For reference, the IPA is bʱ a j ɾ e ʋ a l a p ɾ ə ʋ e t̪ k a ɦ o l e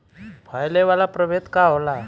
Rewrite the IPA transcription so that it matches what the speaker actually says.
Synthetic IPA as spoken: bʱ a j l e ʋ a l a p ɾ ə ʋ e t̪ k a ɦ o l a